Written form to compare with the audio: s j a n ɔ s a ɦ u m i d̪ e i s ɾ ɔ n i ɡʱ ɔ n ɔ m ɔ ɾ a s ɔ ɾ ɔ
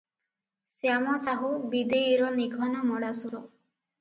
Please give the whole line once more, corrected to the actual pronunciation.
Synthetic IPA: s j a m ɔ s a ɦ u b i d̪ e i ɾ ɔ n i ɡʱ ɔ n ɔ m ɔ ɽ a s u ɾ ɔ